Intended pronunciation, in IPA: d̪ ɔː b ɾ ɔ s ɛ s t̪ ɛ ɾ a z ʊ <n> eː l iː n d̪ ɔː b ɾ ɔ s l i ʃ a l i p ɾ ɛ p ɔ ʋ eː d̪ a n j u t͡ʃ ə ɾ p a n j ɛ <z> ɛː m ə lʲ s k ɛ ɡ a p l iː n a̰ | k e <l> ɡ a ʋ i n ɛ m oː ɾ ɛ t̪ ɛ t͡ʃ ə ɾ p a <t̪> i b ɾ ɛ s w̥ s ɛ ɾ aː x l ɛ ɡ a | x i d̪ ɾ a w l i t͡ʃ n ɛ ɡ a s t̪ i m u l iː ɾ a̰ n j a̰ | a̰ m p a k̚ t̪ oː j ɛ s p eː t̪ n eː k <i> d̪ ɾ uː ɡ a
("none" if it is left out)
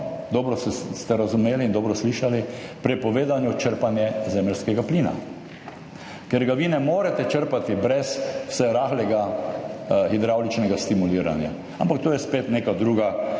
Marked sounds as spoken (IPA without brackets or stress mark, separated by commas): m, z, ɾ, t̪, a